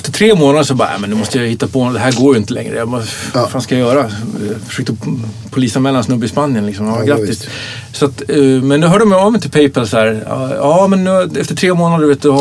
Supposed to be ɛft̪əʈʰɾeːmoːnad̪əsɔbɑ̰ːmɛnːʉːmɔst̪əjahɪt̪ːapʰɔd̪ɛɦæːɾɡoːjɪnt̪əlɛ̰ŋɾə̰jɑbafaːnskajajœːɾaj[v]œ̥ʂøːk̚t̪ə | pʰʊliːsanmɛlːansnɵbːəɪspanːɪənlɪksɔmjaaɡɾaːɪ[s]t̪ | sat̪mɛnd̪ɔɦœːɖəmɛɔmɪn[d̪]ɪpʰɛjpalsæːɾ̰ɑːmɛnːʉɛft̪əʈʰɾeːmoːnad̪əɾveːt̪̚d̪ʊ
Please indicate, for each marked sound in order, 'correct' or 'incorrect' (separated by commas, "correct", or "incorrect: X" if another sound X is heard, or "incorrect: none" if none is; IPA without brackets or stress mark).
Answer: incorrect: f, correct, incorrect: t̪